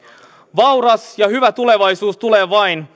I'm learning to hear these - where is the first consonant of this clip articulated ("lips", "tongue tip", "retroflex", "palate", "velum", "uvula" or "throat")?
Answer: lips